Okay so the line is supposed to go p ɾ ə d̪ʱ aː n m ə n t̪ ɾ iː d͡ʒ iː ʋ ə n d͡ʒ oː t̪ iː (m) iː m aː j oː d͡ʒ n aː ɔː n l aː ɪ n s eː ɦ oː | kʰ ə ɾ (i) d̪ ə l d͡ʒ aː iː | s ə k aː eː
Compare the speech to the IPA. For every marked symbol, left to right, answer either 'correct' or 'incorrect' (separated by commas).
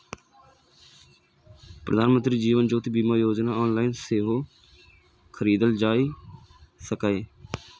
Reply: incorrect, incorrect